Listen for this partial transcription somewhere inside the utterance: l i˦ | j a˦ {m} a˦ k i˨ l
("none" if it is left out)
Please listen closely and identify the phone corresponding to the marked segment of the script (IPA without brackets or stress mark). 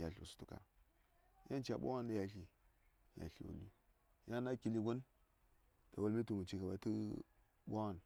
n